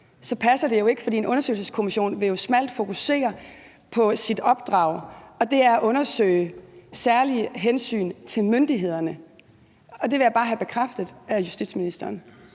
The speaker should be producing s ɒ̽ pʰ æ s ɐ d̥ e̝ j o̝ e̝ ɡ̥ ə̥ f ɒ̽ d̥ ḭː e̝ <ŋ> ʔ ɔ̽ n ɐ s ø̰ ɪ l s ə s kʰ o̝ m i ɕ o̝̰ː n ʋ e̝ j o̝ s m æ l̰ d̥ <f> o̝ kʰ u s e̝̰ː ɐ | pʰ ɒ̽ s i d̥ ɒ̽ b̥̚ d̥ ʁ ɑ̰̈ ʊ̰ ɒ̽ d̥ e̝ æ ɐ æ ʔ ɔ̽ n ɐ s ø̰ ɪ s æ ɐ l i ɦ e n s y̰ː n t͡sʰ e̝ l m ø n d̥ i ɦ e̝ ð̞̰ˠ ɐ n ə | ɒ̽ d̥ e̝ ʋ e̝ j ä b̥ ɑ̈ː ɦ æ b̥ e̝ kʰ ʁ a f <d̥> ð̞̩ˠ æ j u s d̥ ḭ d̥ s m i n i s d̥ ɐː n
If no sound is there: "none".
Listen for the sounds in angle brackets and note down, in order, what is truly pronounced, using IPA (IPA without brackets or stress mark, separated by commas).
n, f, d̥